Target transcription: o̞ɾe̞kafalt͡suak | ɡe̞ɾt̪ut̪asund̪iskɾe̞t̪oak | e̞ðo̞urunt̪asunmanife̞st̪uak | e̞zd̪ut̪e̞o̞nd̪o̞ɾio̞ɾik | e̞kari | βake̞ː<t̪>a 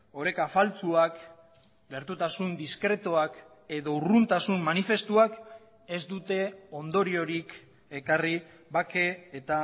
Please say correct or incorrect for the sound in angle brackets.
correct